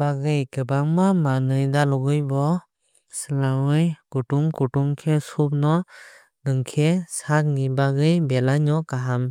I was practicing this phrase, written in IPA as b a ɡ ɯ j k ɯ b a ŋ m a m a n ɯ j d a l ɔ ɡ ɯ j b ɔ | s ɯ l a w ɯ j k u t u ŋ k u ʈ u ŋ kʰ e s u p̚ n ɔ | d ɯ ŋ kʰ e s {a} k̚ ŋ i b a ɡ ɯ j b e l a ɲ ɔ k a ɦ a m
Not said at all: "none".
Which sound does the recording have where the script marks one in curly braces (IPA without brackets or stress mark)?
a